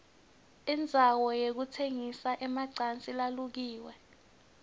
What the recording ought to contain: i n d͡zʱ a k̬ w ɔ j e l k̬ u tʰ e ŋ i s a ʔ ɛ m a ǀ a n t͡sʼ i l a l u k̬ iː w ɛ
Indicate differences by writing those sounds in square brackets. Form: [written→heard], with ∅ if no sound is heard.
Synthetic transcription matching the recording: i n d͡zʱ a [k̬→∅] w ɔ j e [l→∅] k̬ u tʰ e ŋ i s a ʔ ɛ m a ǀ a n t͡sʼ i l a l u k̬ iː w ɛ